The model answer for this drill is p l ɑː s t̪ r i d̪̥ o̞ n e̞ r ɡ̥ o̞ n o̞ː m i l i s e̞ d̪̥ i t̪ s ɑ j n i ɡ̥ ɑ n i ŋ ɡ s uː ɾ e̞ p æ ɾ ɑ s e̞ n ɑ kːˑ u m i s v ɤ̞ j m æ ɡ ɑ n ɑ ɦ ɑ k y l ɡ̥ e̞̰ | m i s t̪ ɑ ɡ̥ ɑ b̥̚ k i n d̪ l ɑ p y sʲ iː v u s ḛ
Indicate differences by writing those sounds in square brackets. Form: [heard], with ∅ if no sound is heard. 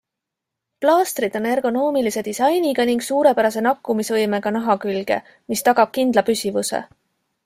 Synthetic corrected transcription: p l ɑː s t̪ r i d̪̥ o̞ n e̞ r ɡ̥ o̞ n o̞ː m i l i s e̞ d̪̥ i [∅] s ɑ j n i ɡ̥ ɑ n i ŋ ɡ s uː ɾ e̞ p æ ɾ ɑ s e̞ n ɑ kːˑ u m i s v ɤ̞ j m [e] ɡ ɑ n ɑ ɦ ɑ k y l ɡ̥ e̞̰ | m i s t̪ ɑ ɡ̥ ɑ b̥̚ k i n d̪ l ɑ p y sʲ [i] v u s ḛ

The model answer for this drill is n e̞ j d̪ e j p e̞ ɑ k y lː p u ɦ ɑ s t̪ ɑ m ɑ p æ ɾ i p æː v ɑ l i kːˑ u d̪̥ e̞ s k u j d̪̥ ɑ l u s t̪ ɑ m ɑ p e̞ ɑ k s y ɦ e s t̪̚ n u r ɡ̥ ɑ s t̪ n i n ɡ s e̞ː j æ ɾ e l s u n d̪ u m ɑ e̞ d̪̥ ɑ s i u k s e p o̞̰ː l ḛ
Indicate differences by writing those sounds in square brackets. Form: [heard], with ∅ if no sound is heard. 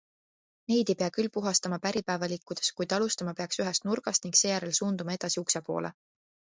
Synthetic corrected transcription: n e̞ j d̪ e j p e̞ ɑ k y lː p u ɦ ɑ s t̪ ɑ m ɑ p æ ɾ i p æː v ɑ l i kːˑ u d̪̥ e̞ s k u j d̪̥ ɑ l u s t̪ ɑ m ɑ p e̞ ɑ k s y ɦ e s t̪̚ n u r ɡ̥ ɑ s t̪ n i [ŋ] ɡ s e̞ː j æ ɾ e l s [uː] n d̪ u m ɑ e̞ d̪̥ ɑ s i u k s e p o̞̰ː l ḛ

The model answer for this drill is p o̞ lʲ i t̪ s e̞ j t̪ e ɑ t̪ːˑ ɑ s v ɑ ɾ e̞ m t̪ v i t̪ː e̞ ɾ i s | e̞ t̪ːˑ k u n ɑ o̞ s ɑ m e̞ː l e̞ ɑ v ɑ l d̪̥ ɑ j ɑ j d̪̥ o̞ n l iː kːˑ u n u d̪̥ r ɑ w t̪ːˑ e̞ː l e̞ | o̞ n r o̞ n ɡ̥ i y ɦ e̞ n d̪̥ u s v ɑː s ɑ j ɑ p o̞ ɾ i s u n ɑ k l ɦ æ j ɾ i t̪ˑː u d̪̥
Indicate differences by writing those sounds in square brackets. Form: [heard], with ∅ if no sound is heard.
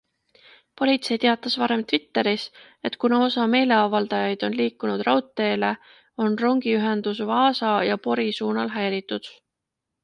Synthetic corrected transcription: p o̞ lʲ i t̪ s e̞ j t̪ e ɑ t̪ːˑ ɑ s v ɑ ɾ e̞ m t̪ v i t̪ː e̞ ɾ i s | e̞ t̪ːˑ k u n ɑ o̞ s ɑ m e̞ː l e̞ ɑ v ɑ l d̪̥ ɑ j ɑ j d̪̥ o̞ n l iː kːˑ u n u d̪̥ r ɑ w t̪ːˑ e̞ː l e̞ | o̞ n r o̞ [ŋ] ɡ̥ i y ɦ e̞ n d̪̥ u s v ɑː s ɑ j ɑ p o̞ ɾ i s [uː] n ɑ [∅] l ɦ æ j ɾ i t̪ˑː u d̪̥

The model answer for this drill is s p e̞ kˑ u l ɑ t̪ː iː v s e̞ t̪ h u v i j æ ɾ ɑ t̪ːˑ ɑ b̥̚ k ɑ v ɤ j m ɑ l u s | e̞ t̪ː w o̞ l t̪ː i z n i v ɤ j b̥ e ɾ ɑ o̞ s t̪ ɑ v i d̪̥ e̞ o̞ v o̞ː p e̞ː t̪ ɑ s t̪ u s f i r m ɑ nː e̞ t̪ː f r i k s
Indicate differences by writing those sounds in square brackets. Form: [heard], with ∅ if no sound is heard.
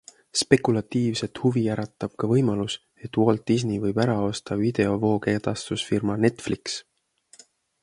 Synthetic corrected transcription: s p e̞ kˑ u l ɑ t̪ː iː v s e̞ t̪ h u v i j æ ɾ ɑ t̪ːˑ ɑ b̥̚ k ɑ v ɤ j m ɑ l u s | e̞ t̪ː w o̞ l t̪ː i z n i v ɤ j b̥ [æ] ɾ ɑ o̞ s t̪ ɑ v i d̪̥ e̞ o̞ v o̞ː [k] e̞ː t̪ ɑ s t̪ u s f i r m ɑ [n] e̞ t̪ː f [l] i k s

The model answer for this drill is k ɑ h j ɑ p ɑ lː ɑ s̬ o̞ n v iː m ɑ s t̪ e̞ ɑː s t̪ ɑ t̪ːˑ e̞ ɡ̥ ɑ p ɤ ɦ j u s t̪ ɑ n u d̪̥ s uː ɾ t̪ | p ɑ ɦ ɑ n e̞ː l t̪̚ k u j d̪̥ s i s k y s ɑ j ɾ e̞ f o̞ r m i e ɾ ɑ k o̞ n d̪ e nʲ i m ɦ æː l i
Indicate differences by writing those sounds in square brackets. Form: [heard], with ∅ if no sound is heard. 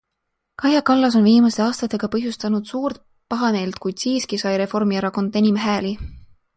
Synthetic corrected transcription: k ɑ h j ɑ [k] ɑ lː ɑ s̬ o̞ n v iː m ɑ s t̪ e̞ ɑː s t̪ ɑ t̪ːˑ e̞ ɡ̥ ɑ p ɤ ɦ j u s t̪ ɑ n u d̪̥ s uː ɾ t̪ | p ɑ ɦ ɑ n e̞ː l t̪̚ k u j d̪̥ s [iː] s k [i] s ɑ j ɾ e̞ f o̞ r m i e ɾ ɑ k o̞ n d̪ e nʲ i m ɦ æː l i

